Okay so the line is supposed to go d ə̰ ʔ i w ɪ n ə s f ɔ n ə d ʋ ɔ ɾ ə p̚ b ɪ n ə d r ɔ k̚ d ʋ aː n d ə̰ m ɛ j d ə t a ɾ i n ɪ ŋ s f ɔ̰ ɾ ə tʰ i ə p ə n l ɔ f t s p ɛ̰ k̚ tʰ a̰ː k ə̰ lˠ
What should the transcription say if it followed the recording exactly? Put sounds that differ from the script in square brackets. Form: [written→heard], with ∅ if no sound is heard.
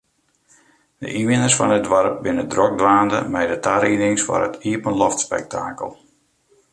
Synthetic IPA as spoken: d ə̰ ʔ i [w→ʋ] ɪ n ə s f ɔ n ə d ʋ ɔ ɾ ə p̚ b ɪ n ə d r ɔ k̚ d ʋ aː n d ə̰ m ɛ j d ə t a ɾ i n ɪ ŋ s f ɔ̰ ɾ ə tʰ i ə p ə n l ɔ f t s p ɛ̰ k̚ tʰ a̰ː k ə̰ lˠ

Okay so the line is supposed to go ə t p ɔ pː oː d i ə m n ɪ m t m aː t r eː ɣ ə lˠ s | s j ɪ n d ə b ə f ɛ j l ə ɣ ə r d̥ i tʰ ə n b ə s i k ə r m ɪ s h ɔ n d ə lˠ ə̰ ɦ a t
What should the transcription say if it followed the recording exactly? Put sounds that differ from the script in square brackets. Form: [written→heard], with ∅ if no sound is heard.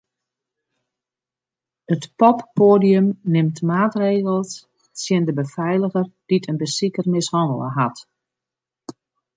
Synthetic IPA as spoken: ə t p ɔ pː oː d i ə m n ɪ m t m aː t r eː ɣ ə lˠ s | s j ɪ n d ə b ə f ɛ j l ə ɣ ə r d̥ i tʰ ə n b ə s i k ə r m ɪ s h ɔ n d ə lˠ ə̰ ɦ a t

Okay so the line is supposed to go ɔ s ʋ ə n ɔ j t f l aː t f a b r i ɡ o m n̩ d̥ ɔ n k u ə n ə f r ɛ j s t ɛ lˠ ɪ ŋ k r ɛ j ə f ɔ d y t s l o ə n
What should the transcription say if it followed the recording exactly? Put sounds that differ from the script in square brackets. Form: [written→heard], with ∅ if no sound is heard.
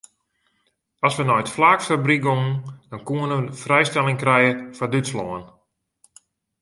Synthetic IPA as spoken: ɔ s ʋ ə n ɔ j t f l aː [t→k] f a b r i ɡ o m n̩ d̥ ɔ n k u ə n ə f r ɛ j s t ɛ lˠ ɪ ŋ k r ɛ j ə f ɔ d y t s l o ə n

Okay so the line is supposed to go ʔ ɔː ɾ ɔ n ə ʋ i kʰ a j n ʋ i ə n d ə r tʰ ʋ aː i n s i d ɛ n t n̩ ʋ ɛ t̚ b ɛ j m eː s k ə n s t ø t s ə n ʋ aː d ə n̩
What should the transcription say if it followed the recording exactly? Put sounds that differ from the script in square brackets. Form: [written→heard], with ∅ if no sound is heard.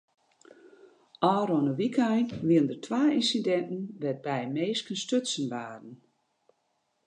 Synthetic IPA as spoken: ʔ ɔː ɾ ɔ n ə ʋ i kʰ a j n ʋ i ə n d ə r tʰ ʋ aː i n s i d ɛ n t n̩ ʋ ɛ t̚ b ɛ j m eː s k ə n s t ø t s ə n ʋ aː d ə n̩

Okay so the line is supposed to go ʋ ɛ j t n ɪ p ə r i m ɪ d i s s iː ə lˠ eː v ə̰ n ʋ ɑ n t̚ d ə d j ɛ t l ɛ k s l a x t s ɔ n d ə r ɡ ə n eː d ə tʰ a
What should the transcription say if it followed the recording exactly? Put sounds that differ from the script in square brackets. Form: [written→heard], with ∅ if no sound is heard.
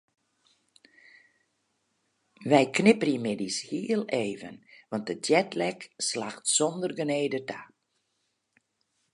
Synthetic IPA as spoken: ʋ ɛ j [t→k] n ɪ p ə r i m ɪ d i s [s→h] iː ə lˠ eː v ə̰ n ʋ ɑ n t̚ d ə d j ɛ t l ɛ k s l a x t s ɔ n d ə r ɡ ə n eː d ə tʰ a

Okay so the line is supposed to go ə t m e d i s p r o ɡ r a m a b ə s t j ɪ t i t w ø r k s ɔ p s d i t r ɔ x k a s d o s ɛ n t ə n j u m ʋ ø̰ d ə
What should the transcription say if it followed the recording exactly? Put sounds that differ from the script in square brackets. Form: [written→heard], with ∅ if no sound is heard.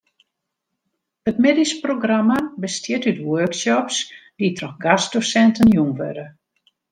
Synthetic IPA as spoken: ə t m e d i s p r o ɡ r a m a b ə s t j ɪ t [i→y] t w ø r k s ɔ p s d i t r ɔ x [k→ɡ] a s d o s ɛ n t ə n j u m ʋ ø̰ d ə

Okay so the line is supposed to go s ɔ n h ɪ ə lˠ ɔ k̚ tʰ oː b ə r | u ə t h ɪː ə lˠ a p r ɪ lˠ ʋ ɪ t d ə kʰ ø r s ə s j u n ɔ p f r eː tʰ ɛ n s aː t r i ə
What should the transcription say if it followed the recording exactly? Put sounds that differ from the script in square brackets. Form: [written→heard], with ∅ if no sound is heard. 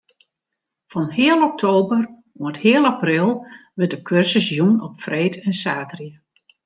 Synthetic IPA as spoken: [s→f] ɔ n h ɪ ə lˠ ɔ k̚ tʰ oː b ə r | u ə t h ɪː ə lˠ a p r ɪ lˠ ʋ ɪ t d ə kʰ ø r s ə s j u n ɔ p f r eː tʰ ɛ n s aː t r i ə

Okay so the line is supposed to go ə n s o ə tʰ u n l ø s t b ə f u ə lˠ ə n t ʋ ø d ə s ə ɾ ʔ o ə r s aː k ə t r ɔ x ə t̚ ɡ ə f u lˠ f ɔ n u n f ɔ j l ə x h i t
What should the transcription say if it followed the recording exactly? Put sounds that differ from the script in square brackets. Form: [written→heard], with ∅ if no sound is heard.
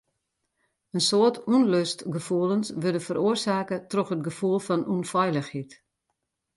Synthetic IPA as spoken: ə n s o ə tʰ u n l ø s t [b→ɡ] ə f u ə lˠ ə n [t→s] ʋ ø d ə [s→f] ə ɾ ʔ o ə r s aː k ə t r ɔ x ə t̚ ɡ ə f u lˠ f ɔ n u n f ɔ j l ə x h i t

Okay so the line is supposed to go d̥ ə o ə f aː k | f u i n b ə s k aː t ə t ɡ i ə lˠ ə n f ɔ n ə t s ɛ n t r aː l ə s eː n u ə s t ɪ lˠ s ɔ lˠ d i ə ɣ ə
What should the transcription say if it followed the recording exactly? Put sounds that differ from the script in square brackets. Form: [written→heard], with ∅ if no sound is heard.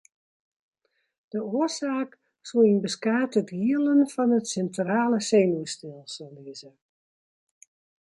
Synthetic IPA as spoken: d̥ ə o ə [f→s] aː k | [f→s] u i n b ə s k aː t ə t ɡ i ə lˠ ə n f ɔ n ə t s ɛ n t r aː l ə s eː n u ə s t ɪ lˠ s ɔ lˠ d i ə [ɣ→z] ə

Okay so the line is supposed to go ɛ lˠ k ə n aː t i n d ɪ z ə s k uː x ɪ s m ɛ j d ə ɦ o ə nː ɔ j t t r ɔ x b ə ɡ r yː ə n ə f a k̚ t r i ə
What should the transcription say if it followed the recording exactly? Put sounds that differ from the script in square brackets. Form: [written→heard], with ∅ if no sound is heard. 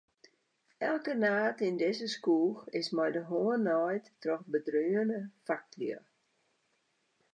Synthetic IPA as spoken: ɛ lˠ k ə n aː t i n d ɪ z ə s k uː x ɪ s m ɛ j d ə ɦ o ə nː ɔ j t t r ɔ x b ə [ɡ→d] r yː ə n ə f a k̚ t [r→l] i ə

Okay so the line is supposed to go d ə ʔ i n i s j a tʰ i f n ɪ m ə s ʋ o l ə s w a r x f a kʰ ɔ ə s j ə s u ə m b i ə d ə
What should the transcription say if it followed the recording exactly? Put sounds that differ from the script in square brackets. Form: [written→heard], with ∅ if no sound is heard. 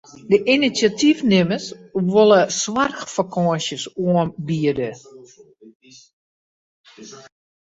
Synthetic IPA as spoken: d ə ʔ i n i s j a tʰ i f n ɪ m ə s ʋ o l ə s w a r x f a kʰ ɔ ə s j ə s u ə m b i ə d ə

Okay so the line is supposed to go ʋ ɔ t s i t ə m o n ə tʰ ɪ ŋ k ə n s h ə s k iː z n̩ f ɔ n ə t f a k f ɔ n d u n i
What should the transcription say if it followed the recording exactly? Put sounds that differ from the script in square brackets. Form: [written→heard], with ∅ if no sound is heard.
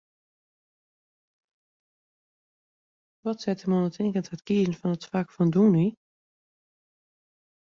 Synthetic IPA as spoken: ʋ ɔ t s [i→ɛ] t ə m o n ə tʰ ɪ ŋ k ə n [s→t] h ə [s→t] k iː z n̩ f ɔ n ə t f a k f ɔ n d u n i

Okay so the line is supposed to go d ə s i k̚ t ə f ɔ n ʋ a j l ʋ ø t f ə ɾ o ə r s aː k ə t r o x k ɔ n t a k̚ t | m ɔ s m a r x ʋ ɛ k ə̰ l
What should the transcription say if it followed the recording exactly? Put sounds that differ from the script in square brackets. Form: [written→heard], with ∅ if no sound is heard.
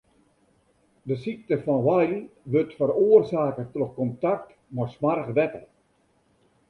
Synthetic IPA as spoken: d ə s i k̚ t ə f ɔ n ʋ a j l ʋ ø t f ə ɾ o ə r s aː k ə t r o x k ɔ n t a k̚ t | m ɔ s m a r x ʋ ɛ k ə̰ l

